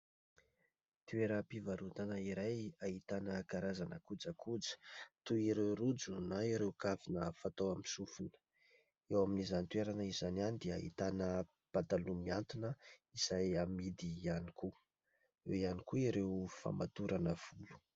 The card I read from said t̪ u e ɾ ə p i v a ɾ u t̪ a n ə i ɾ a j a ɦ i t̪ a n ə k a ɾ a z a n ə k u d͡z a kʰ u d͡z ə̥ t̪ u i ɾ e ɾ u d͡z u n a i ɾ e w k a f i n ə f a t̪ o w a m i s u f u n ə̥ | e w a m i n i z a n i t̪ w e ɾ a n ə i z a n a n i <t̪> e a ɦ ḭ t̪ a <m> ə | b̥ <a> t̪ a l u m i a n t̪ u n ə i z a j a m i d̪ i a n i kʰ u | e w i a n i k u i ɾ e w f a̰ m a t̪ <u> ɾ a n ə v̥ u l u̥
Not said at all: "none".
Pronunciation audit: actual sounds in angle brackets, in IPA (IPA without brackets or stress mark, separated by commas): d̪, n, a, u